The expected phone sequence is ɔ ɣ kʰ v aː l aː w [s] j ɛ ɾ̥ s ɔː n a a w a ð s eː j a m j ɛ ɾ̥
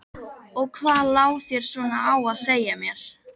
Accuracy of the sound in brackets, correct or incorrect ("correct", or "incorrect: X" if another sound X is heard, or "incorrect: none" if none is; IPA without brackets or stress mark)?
incorrect: θ